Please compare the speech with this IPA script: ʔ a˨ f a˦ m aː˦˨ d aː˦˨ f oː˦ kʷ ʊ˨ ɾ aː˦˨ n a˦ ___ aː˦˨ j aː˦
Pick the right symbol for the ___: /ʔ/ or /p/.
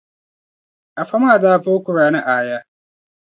ʔ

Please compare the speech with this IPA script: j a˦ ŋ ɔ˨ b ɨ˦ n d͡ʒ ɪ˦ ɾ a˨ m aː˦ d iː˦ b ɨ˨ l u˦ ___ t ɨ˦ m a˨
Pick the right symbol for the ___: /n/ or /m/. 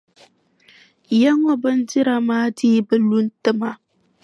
n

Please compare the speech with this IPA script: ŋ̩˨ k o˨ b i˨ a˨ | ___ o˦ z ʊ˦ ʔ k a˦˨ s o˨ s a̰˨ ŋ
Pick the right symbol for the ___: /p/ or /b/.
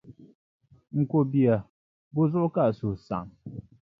b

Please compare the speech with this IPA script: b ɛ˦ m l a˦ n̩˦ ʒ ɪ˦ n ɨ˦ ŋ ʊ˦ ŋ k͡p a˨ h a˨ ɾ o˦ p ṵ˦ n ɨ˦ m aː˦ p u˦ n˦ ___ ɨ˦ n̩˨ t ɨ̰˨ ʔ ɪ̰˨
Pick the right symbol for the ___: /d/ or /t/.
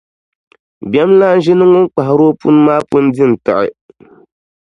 d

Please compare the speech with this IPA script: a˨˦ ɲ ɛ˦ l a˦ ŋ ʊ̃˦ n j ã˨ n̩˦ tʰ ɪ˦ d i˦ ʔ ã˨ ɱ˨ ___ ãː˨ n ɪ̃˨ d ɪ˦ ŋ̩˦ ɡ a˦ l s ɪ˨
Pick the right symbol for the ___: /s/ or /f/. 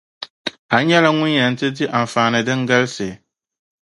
f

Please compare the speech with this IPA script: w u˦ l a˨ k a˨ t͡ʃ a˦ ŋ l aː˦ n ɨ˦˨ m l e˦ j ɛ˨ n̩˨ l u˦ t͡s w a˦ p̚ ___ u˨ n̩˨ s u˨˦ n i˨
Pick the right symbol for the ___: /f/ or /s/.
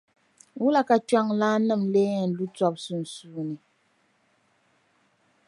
s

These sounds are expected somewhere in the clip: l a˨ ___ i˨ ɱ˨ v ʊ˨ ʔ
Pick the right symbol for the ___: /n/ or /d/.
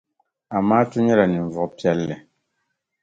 n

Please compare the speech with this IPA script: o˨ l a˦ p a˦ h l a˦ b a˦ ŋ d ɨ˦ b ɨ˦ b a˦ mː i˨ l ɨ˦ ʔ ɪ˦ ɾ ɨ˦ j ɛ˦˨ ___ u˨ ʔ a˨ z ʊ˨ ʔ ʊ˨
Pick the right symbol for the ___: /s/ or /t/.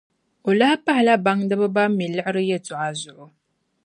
t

